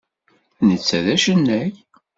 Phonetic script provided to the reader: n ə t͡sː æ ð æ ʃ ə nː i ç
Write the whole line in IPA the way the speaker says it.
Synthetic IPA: n ə t͡sː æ ð æ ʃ ə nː æ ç